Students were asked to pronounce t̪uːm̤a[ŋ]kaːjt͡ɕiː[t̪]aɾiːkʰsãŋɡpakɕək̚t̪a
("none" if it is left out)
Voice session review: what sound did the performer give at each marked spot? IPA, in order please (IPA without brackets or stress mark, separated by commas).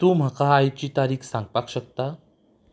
none, t̪